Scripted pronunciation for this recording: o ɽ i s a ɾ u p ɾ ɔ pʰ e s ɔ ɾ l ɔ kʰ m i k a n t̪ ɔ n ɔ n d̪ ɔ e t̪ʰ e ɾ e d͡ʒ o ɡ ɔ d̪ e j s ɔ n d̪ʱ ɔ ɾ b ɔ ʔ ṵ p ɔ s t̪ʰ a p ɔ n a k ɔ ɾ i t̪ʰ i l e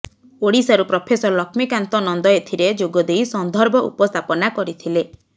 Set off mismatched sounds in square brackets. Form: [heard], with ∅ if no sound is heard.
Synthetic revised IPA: o ɽ i s a ɾ u p ɾ ɔ pʰ e s ɔ ɾ l ɔ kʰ m i k a n t̪ ɔ n ɔ n d̪ ɔ e t̪ʰ [i] ɾ e d͡ʒ o ɡ ɔ d̪ e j s ɔ n d̪ʱ ɔ ɾ b ɔ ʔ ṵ p ɔ s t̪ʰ a p ɔ n a k ɔ ɾ i t̪ʰ i l e